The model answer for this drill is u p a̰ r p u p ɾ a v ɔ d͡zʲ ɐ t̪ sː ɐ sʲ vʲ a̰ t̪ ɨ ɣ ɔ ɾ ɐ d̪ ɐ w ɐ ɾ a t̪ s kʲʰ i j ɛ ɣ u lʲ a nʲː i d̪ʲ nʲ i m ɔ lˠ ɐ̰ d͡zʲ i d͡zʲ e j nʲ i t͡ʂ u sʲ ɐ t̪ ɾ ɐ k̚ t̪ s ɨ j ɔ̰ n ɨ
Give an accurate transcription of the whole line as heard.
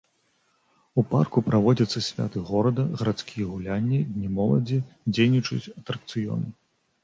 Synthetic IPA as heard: u p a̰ r k u p ɾ a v ɔ d͡zʲ ɐ t̪ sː ɐ sʲ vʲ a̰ t̪ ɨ ɣ ɔ ɾ ɐ d̪ ɐ ɣ ɐ ɾ a t̪ s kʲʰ i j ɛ ɣ u lʲ a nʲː i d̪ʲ nʲ i m ɔ lˠ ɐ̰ d͡zʲ i d͡zʲ e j nʲ i t͡ʂ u t͡sʲ ɐ t̪ ɾ ɐ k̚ t̪ s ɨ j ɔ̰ n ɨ